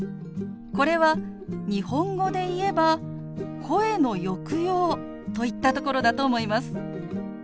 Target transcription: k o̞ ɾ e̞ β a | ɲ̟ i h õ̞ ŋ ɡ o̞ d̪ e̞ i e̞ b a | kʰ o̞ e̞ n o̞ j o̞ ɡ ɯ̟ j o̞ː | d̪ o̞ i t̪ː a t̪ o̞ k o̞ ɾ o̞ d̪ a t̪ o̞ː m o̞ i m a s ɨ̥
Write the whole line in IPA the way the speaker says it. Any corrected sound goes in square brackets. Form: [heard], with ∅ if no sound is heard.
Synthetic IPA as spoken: k o̞ ɾ e̞ β a | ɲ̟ i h õ̞ ŋ ɡ o̞ d̪ e̞ i e̞ b a | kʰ o̞ e̞ n o̞ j o̞ [k] ɯ̟ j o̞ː | [t̪] o̞ i t̪ː a t̪ o̞ k o̞ ɾ o̞ d̪ a t̪ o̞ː m o̞ i m a s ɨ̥